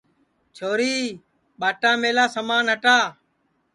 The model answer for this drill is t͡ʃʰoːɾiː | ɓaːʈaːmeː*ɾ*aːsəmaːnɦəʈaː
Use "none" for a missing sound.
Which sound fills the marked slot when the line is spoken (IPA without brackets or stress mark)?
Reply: l